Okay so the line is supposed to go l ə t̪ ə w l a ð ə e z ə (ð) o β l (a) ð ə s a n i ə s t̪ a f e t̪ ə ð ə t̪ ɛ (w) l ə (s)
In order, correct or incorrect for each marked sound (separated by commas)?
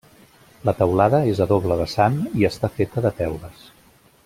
correct, incorrect, correct, correct